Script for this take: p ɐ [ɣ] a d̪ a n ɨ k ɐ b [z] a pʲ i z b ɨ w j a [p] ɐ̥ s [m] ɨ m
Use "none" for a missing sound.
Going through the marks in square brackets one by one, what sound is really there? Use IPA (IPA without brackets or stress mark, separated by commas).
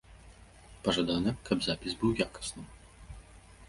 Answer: ʐ, z, k, n